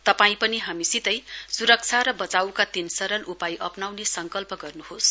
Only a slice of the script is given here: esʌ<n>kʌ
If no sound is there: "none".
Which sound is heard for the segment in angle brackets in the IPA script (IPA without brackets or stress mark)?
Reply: ŋ